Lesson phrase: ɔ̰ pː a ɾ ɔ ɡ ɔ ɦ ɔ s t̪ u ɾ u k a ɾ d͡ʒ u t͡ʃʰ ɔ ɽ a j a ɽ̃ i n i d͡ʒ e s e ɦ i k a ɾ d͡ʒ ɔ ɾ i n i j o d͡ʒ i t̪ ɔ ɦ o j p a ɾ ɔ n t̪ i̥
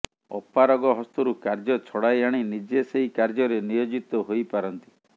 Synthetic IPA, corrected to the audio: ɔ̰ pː a ɾ ɔ ɡ ɔ ɦ ɔ s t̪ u ɾ u k a ɾ d͡ʒ ɔ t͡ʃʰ ɔ ɽ a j a ɽ̃ i n i d͡ʒ e s e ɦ i k a ɾ d͡ʒ ɔ ɾ e n i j o d͡ʒ i t̪ ɔ ɦ o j p a ɾ ɔ n t̪ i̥